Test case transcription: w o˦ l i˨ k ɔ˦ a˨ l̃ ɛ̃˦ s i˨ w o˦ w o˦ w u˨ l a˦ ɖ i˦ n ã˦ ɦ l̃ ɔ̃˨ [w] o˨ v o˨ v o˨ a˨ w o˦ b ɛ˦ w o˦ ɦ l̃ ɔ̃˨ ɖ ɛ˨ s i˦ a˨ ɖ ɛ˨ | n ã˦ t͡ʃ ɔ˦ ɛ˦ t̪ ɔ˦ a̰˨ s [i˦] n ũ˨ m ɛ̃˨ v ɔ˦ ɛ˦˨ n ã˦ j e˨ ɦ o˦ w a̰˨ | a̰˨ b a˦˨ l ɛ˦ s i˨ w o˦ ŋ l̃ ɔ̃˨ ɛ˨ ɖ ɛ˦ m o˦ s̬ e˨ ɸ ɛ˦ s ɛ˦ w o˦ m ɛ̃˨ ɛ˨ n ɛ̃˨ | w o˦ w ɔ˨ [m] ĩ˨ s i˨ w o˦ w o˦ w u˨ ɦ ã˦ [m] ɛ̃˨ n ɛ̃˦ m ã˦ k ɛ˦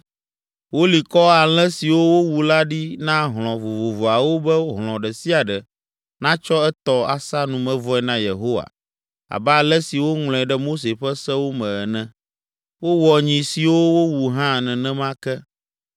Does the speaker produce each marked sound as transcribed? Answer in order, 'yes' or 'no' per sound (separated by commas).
no, no, no, no